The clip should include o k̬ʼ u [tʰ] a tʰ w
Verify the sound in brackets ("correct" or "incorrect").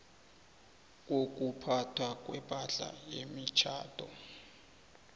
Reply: incorrect